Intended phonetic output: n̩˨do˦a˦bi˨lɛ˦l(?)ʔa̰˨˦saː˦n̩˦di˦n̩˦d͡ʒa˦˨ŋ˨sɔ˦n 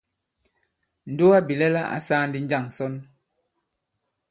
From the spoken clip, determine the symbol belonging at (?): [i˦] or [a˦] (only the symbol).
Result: a˦